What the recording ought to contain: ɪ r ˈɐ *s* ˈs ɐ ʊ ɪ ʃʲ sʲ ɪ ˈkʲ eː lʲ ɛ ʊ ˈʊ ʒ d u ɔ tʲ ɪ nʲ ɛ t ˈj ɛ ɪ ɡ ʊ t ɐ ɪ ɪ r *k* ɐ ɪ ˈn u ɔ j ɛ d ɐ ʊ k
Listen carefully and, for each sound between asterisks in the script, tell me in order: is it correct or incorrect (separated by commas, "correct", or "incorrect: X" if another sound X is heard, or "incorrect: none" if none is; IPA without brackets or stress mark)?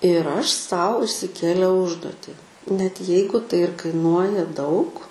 incorrect: ʃ, correct